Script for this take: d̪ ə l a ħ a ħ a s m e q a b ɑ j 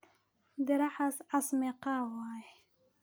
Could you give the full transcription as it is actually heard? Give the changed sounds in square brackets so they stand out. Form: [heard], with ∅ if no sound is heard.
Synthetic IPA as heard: d̪ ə [ɾ] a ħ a [s] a s m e q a [w] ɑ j